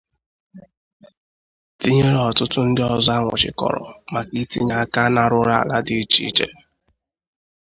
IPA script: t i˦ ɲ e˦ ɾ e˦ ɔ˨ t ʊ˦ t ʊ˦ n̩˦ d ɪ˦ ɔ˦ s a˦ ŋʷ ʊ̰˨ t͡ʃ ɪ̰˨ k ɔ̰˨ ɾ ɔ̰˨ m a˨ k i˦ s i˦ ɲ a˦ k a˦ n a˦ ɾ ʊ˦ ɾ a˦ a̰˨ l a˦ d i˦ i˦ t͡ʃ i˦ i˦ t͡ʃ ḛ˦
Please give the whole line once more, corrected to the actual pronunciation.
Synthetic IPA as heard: t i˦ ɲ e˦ ɾ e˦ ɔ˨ t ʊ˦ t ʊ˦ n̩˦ d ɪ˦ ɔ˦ z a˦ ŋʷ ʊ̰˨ t͡ʃ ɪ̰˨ k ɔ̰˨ ɾ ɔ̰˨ m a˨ k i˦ t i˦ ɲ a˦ k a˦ n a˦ ɾ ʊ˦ ɾ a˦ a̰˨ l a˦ d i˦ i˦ t͡ʃ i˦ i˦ t͡ʃ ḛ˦